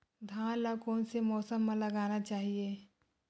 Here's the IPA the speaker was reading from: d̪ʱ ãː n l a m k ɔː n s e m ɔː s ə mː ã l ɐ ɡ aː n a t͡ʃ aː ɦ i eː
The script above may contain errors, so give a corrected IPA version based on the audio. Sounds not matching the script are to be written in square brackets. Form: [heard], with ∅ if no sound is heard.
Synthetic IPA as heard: d̪ʱ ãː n l a [∅] k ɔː n s e m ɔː s ə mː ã l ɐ ɡ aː n a t͡ʃ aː ɦ i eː